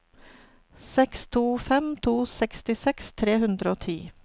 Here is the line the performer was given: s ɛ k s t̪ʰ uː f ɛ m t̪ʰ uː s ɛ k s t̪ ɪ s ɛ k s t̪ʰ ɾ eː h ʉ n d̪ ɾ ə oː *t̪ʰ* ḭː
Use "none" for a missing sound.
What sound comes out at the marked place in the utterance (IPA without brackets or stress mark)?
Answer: t̪ʰ